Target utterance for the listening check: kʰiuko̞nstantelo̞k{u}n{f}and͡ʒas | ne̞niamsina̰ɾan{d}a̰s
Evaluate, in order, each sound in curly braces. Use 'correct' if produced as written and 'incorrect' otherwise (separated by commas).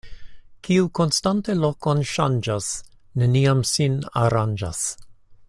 incorrect, incorrect, incorrect